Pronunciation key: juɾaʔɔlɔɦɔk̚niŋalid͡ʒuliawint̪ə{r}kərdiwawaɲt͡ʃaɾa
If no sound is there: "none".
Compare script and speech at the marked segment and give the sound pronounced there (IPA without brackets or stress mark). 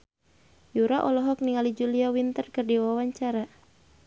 r